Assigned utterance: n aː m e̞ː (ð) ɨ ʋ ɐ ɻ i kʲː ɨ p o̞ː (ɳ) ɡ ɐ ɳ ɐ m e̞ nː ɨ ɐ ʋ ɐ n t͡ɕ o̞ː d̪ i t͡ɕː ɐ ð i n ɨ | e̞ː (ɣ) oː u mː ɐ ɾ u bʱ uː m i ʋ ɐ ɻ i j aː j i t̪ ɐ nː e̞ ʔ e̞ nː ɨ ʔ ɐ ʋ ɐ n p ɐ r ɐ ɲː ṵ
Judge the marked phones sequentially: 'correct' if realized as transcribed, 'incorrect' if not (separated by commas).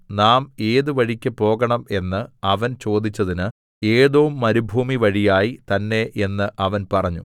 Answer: correct, incorrect, incorrect